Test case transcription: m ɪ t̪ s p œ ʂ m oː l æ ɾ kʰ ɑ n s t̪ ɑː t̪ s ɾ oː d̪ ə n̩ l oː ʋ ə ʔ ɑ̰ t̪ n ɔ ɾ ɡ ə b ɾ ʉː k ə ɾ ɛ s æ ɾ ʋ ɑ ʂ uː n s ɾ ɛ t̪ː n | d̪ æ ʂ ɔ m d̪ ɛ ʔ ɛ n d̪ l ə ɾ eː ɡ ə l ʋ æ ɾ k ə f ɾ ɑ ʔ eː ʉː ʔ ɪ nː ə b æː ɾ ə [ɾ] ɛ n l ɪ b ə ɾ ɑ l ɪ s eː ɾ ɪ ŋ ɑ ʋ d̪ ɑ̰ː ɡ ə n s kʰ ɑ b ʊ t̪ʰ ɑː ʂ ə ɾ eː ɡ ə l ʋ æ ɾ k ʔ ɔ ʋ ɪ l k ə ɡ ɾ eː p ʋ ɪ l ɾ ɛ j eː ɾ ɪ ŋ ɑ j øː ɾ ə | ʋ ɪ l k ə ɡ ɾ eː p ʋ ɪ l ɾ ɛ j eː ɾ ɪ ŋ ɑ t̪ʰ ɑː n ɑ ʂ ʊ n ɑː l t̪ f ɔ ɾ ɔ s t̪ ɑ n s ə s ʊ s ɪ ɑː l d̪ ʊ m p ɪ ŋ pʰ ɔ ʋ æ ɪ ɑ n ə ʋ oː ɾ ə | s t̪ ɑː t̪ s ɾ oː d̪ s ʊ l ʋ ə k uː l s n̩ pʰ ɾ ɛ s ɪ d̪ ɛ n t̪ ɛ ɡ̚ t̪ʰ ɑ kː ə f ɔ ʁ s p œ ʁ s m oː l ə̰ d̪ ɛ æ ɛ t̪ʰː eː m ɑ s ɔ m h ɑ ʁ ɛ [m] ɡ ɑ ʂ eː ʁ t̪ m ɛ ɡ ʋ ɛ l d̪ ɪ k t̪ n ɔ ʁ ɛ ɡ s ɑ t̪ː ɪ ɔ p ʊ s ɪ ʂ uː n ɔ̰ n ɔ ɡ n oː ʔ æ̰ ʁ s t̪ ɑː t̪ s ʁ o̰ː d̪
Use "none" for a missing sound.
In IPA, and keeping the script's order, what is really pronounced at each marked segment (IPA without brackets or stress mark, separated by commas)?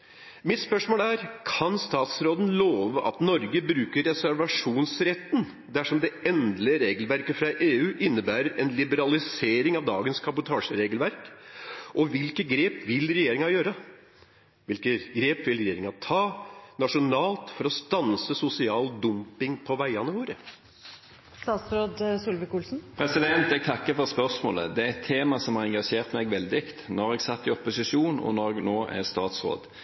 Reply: ɾ, ŋ